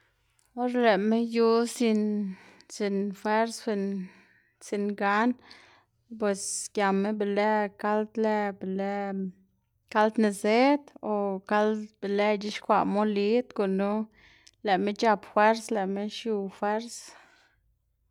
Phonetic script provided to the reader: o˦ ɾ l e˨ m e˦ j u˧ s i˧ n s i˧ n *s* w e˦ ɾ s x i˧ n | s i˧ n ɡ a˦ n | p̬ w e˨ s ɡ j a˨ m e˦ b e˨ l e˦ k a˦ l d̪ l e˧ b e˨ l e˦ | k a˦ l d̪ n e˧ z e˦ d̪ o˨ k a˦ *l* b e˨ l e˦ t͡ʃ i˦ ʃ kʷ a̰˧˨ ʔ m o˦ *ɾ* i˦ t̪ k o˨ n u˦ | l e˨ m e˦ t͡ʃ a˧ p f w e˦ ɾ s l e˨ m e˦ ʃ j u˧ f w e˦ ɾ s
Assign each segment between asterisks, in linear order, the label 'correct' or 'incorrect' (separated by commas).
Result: incorrect, correct, incorrect